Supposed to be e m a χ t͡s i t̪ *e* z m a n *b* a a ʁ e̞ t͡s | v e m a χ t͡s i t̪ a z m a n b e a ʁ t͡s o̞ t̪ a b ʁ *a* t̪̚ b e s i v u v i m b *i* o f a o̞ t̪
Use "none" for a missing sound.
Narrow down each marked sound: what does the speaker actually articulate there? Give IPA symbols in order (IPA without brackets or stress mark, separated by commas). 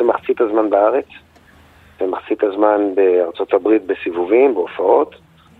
a, b, i, e